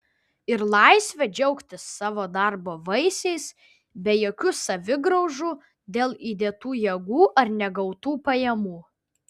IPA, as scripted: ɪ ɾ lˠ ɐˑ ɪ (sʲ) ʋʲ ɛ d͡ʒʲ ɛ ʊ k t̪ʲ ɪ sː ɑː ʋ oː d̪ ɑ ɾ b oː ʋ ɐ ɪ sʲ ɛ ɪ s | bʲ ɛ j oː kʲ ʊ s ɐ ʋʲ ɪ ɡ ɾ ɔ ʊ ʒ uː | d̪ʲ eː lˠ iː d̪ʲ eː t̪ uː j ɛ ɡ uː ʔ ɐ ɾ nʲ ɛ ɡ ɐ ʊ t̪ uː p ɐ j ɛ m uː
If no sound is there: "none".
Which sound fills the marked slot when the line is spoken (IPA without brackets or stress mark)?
sʲ